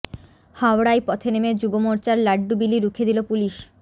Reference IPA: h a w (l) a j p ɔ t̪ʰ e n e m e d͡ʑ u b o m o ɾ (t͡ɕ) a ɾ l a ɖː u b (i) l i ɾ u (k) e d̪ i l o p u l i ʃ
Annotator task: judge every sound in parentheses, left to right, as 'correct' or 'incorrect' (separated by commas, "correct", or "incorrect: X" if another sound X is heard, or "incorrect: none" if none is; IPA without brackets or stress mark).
incorrect: ɽ, correct, correct, incorrect: kʰ